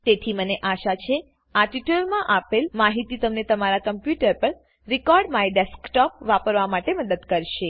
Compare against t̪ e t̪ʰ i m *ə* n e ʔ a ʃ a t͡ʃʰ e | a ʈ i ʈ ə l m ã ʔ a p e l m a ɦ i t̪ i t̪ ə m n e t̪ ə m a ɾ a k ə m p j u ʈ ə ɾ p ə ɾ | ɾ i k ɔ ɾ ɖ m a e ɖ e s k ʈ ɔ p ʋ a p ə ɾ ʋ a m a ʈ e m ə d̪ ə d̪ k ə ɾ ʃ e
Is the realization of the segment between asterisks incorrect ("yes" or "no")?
no